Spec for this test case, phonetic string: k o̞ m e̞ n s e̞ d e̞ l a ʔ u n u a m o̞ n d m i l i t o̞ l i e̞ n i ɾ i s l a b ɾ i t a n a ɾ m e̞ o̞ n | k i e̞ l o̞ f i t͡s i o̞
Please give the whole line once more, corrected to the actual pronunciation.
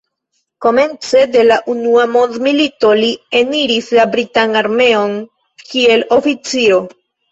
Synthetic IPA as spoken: k o̞ m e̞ n t͡s e̞ d e̞ l a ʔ u n u a m o̞ n d m i l i t o̞ l i e̞ n i ɾ i s l a b ɾ i t a n a ɾ m e̞ o̞ n | k i e̞ l o̞ f i t͡s i o̞

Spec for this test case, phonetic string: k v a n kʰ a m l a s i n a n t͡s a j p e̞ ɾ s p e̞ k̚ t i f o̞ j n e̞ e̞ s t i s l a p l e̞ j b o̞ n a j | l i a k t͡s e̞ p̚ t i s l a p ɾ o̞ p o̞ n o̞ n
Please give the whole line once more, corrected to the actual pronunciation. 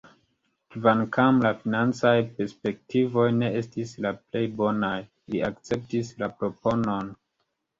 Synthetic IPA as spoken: k v a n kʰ a m l a f i n a n t͡s a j p e̞ ɾ s p e̞ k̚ t i v o̞ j n e̞ e̞ s t i s l a p l e̞ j b o̞ n a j | l i a k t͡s e̞ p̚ t i s l a p ɾ o̞ p o̞ n o̞ n

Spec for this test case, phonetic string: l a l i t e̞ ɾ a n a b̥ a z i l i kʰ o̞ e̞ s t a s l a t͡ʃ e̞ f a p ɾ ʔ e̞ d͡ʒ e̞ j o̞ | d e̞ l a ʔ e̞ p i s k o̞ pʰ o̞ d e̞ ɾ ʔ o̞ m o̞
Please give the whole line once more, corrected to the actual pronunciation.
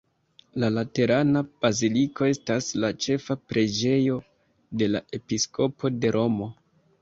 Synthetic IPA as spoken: l a l a t e̞ ɾ a n a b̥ a z i l i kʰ o̞ e̞ s t a s l a t͡ʃ e̞ f a p ɾ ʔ e̞ d͡ʒ e̞ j o̞ | d e̞ l a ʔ e̞ p i s k o̞ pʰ o̞ d e̞ ɾ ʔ o̞ m o̞

